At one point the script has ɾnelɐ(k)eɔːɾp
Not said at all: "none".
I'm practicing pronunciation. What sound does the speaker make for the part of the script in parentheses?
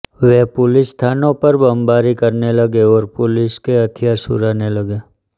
ɡ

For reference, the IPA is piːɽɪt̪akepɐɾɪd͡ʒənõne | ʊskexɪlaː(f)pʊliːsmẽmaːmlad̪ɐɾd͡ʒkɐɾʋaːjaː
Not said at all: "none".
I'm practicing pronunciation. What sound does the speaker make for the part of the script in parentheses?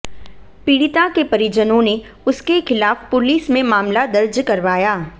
f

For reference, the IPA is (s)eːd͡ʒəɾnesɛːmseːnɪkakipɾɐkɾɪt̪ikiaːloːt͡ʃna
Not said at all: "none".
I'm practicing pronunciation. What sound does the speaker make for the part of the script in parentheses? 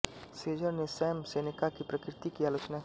s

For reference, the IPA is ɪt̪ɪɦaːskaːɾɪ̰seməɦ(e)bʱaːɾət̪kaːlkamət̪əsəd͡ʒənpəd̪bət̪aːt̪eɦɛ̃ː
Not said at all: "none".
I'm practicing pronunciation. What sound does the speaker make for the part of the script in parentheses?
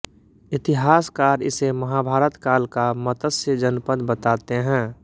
a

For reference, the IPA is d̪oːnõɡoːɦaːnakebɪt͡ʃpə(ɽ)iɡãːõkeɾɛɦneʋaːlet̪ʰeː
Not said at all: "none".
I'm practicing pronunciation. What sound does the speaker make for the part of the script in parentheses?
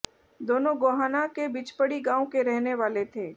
ɽ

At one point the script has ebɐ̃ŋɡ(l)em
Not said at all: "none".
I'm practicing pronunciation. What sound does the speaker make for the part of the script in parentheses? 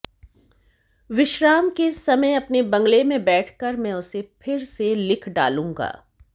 l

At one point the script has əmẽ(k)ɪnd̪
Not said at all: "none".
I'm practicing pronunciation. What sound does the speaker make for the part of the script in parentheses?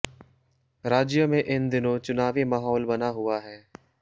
ʔ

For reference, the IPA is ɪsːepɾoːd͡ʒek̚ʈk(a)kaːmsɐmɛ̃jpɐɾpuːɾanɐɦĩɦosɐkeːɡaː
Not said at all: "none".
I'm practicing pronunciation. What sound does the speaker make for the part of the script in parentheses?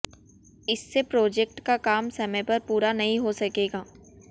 a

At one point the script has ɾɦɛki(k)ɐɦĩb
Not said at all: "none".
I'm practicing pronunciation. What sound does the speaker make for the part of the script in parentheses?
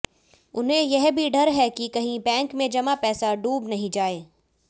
k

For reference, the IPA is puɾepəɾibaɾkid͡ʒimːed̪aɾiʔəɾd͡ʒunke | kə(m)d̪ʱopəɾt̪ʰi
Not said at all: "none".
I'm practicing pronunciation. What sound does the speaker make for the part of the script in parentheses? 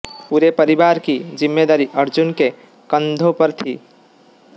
n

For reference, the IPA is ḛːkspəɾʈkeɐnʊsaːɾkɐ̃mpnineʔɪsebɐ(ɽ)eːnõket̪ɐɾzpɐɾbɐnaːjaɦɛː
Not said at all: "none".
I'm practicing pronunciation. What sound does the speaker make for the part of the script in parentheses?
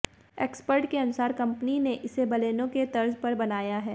l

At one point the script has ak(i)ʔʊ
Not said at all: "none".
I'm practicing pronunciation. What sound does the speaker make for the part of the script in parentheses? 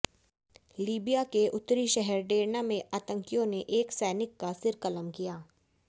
e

